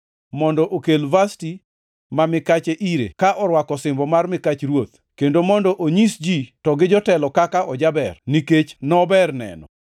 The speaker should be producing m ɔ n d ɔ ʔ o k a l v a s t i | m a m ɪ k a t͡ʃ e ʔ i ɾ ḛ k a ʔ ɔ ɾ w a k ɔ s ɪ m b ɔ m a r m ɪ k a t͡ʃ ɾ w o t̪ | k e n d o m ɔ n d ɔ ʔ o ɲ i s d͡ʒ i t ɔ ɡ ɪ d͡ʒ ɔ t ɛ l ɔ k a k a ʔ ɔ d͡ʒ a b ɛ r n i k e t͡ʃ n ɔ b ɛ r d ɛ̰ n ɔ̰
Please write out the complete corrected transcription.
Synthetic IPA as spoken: m ɔ n d ɔ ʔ o k e l v a s t i | m a m ɪ k a t͡ʃ e ʔ i ɾ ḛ k a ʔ ɔ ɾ w a k ɔ s ɪ m b ɔ m a r m ɪ k a t͡ʃ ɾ w o t̪ | k e n d o m ɔ n d ɔ ʔ o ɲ i s d͡ʒ i t ɔ ɡ ɪ d͡ʒ ɔ t ɛ l ɔ k a k a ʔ ɔ d͡ʒ a b ɛ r n i k e t͡ʃ n ɔ b ɛ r n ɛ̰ n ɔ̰